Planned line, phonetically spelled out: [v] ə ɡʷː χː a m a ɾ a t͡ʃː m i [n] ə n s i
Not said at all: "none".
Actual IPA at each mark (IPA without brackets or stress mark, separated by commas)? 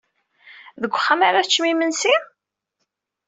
ð, m